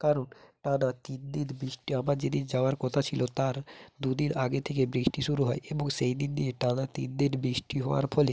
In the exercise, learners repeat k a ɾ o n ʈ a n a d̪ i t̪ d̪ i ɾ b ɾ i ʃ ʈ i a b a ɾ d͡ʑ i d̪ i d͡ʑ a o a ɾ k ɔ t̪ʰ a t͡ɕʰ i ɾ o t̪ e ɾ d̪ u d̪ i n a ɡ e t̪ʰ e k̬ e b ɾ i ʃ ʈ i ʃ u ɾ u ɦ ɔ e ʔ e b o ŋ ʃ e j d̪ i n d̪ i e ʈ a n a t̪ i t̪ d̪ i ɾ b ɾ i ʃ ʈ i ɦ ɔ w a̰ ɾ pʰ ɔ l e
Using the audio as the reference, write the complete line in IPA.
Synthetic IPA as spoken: k a ɾ o n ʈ a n a t̪ i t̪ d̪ i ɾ b ɾ i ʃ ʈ i a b a ɾ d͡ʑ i d̪ i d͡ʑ a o a ɾ k ɔ t̪ʰ a t͡ɕʰ i l o t̪ a ɾ d̪ u d̪ i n a ɡ e t̪ʰ e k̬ e b ɾ i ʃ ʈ i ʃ u ɾ u ɦ ɔ e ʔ e b o ŋ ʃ e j d̪ i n d̪ i e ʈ a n a t̪ i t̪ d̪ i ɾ b ɾ i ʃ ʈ i ɦ ɔ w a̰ ɾ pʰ ɔ l e